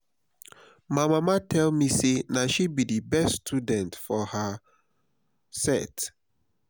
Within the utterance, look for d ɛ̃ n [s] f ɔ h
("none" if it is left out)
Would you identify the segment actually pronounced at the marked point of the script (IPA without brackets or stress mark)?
t